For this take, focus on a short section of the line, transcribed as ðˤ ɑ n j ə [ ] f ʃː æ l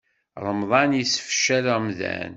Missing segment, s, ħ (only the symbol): s